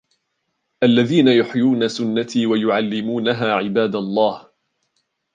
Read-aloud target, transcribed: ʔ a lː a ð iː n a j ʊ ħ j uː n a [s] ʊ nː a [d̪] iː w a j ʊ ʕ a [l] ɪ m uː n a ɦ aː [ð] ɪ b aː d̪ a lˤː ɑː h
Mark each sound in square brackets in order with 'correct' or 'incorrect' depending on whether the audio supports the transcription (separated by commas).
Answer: correct, incorrect, incorrect, incorrect